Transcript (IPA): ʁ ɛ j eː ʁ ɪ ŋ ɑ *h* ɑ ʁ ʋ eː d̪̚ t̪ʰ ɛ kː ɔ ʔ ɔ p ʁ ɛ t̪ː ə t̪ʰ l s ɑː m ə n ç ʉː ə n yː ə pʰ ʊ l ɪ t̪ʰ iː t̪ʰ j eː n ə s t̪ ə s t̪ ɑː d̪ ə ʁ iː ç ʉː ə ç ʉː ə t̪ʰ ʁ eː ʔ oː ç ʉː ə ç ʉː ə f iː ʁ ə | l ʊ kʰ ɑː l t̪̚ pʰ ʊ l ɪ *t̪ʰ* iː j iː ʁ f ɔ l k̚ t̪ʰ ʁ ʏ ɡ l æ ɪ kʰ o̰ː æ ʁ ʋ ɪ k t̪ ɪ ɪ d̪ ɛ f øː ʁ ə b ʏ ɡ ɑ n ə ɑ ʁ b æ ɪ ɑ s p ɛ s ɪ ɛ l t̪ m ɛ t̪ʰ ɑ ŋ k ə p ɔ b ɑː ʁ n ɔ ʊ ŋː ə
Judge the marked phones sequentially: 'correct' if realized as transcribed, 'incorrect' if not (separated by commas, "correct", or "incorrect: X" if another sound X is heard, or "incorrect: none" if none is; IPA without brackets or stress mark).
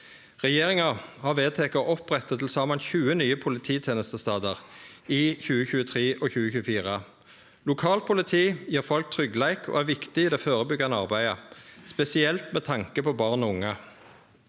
correct, correct